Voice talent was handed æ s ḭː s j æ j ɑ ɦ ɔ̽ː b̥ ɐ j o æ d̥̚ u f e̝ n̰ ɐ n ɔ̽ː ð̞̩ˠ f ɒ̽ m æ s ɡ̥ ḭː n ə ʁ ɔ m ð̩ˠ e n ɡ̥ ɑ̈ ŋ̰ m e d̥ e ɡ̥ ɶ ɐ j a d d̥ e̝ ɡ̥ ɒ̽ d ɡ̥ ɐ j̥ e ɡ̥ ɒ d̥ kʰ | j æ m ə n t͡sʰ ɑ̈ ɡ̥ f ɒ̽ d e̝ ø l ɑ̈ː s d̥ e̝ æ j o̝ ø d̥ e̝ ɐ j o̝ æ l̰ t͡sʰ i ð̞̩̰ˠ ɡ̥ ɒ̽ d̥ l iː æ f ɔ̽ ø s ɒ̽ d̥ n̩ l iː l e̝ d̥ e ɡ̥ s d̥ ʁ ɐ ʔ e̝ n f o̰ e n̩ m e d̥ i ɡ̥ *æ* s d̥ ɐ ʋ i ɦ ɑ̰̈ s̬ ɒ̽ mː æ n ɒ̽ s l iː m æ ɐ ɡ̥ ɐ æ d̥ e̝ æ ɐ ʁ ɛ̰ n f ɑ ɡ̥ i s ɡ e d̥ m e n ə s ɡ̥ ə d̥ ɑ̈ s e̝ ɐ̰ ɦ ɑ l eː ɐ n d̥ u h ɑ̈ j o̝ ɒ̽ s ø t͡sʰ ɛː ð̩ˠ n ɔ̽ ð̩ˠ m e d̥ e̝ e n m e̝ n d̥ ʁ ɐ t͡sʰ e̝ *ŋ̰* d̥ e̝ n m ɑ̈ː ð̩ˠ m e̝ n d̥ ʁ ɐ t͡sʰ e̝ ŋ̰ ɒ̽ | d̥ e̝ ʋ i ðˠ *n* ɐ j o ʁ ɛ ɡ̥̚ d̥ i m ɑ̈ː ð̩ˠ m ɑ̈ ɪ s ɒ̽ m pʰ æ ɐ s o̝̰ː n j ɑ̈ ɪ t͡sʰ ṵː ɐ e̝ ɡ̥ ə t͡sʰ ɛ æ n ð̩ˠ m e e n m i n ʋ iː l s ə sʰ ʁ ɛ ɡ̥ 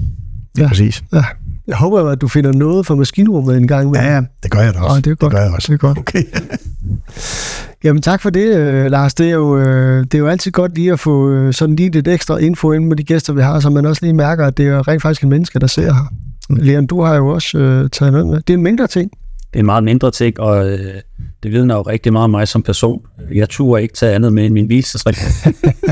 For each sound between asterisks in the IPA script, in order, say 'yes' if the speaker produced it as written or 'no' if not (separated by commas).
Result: no, yes, yes